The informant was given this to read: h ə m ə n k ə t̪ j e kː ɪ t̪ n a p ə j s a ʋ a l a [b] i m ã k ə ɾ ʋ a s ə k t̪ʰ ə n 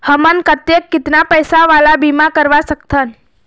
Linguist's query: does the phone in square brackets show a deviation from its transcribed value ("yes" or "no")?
no